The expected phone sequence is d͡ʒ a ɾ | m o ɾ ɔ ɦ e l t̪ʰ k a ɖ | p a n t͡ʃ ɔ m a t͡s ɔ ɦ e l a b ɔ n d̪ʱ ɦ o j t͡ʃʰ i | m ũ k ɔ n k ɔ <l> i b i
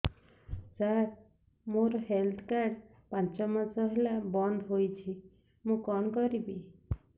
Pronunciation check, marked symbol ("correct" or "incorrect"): incorrect